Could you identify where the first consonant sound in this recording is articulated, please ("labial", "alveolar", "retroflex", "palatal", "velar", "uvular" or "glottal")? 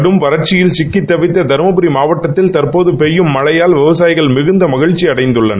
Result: retroflex